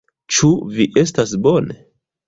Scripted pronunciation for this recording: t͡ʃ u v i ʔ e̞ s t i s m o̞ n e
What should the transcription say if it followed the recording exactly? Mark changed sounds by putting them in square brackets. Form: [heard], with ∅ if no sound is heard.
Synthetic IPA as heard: t͡ʃ u v i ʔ e̞ s t [a] s [b] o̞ n e